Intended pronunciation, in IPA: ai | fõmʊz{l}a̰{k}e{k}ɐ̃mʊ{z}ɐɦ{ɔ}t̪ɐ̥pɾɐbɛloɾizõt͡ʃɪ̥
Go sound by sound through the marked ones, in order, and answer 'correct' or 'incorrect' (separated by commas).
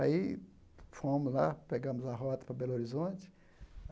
correct, incorrect, incorrect, correct, correct